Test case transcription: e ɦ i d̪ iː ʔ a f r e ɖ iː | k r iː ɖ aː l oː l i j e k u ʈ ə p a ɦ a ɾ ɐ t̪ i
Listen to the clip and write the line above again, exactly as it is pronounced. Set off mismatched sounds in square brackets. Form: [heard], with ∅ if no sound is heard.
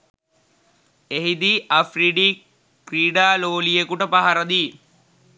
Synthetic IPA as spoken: e ɦ i d̪ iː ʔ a f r [i] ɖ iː | k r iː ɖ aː l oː l i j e k u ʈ ə p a ɦ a ɾ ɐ [d̪] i